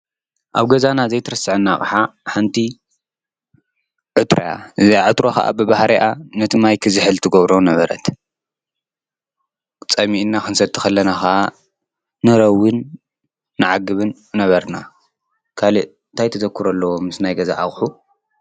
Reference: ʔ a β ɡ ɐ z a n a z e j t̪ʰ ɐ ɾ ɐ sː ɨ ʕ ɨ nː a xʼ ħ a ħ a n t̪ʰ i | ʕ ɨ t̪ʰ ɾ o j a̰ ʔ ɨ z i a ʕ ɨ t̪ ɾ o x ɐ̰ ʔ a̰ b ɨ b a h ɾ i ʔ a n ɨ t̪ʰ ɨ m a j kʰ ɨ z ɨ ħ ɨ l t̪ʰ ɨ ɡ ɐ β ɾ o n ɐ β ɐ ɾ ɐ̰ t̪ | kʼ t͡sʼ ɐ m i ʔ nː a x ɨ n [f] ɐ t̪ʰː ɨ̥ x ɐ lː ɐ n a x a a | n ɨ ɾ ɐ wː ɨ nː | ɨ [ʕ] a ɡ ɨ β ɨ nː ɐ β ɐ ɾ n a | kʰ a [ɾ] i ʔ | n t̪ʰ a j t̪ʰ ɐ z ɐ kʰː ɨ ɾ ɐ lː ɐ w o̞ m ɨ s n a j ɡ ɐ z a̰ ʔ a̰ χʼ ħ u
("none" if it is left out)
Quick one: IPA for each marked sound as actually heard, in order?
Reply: s, ʕ, l

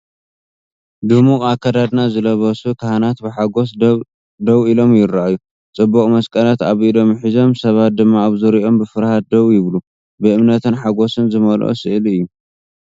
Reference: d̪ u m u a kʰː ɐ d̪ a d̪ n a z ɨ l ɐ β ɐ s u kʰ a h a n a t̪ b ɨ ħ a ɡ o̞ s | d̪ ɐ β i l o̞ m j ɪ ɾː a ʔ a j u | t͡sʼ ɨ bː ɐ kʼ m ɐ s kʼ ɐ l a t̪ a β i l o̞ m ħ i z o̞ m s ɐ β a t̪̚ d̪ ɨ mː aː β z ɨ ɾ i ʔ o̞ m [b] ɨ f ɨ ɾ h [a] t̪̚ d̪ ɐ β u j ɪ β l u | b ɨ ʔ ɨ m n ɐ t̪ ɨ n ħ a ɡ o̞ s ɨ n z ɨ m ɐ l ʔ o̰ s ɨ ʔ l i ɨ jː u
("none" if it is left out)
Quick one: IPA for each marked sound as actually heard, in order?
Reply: b, a

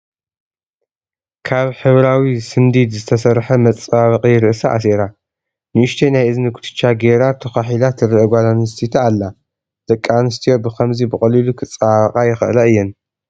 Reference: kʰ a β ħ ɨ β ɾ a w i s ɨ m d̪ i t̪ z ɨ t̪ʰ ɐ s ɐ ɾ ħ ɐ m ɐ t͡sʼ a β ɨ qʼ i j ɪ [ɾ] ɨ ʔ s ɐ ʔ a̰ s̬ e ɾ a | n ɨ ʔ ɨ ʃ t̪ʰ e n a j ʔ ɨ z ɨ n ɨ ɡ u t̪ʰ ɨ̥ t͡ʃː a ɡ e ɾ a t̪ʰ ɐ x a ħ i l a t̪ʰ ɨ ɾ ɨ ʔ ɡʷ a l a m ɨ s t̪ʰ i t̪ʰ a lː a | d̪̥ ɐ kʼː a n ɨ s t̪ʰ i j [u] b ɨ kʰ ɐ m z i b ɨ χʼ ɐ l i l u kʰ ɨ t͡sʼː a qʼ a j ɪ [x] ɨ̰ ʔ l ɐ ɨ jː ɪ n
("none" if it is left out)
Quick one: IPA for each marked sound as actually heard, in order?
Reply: ɾ, o, x

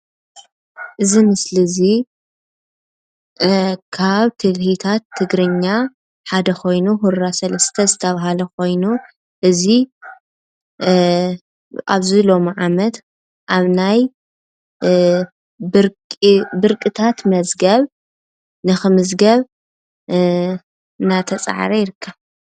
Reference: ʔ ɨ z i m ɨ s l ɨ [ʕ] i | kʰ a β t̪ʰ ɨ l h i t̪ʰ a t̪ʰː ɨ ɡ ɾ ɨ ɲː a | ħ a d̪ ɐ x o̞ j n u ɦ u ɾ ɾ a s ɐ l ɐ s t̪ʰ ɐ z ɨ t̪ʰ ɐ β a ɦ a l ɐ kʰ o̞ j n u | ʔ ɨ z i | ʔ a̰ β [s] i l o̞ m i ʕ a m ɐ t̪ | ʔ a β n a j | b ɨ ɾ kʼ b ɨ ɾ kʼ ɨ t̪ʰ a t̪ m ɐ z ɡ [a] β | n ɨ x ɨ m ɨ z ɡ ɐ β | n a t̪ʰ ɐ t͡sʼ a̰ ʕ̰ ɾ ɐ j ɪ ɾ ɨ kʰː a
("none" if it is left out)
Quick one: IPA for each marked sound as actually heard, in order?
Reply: z, z, ɐ

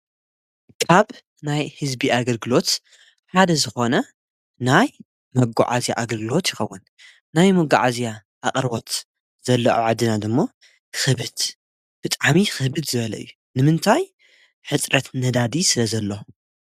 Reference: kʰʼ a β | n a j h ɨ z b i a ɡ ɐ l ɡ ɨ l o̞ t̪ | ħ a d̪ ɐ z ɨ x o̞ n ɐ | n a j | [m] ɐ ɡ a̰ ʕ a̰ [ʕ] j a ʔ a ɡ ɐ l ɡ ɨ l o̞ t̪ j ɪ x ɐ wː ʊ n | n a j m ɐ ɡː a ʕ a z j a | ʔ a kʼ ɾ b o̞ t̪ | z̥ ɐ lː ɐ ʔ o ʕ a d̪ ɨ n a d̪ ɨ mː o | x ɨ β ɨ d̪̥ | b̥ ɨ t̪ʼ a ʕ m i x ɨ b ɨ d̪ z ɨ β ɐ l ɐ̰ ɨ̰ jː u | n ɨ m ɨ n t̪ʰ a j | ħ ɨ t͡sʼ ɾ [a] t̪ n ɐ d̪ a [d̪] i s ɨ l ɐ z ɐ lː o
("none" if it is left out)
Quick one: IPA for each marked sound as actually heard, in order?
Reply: m, z, ɐ, d̪

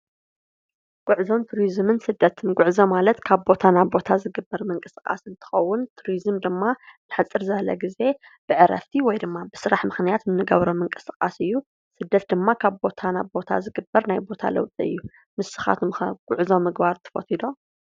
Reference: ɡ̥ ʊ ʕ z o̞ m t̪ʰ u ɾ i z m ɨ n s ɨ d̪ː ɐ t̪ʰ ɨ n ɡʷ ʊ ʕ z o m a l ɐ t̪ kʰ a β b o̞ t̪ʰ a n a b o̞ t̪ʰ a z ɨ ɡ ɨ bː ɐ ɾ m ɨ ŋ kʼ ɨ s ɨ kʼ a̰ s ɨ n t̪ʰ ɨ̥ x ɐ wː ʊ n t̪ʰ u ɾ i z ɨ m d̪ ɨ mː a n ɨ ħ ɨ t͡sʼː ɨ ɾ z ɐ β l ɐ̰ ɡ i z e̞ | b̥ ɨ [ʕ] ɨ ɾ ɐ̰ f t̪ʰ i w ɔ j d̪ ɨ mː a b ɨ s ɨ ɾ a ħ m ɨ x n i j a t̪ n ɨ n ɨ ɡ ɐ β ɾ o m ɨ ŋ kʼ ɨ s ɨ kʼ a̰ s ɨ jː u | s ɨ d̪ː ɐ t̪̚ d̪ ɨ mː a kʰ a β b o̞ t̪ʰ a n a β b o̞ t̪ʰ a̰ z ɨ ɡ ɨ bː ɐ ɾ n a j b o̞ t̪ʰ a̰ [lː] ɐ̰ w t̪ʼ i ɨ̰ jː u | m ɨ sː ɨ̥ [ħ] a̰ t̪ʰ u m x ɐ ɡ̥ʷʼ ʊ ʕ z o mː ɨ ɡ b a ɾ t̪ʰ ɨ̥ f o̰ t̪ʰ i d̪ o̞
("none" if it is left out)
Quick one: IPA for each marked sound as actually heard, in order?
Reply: ʕ, l, x

